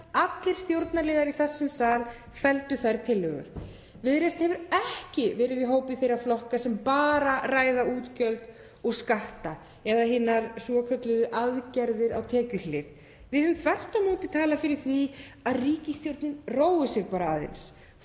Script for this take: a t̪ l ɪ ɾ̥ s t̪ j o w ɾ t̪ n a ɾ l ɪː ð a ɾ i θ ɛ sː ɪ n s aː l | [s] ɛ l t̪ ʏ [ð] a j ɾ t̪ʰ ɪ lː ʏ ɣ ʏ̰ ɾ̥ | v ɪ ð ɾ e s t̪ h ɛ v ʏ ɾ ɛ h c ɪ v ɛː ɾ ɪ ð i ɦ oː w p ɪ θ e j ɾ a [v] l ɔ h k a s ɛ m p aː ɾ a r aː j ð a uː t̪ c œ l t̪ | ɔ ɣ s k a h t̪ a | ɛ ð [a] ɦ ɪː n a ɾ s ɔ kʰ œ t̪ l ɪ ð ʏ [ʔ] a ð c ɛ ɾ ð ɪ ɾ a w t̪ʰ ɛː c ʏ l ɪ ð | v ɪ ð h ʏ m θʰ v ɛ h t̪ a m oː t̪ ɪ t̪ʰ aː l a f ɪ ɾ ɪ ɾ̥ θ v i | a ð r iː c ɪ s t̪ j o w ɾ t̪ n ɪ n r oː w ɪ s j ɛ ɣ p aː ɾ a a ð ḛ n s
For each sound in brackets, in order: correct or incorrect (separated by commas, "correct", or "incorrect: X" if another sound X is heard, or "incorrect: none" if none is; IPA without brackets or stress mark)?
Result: incorrect: f, incorrect: θ, incorrect: f, correct, correct